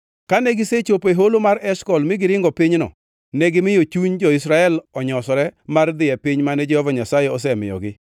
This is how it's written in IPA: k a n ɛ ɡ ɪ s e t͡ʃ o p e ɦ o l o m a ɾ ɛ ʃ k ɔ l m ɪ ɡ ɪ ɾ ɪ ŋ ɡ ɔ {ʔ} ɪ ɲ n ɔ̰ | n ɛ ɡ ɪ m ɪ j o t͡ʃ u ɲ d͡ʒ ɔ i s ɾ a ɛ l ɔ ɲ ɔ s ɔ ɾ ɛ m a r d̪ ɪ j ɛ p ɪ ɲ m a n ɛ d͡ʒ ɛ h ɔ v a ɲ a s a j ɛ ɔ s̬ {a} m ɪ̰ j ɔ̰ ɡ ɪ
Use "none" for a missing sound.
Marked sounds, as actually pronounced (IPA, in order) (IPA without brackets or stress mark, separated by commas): p, ɛ